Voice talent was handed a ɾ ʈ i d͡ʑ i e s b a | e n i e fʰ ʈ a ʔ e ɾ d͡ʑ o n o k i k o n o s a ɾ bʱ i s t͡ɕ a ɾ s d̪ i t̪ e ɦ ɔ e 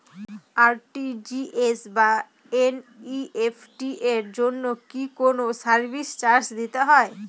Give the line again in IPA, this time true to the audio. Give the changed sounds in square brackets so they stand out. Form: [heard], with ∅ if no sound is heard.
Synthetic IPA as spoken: a ɾ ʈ i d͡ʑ i e s b a | e n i e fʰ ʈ [i] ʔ e ɾ d͡ʑ o [nː] o k i k o n o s a ɾ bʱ i s t͡ɕ a ɾ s d̪ i t̪ e ɦ ɔ e